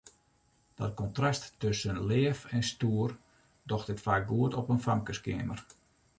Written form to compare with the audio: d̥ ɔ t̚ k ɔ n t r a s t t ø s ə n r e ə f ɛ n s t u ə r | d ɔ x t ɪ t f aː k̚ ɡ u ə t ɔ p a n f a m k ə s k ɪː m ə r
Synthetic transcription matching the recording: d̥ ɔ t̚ k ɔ n t r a s t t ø s ə n l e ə f ɛ n s t u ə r | d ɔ x t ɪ t f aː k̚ ɡ u ə t ɔ p ə n f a m k ə s k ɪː m ə r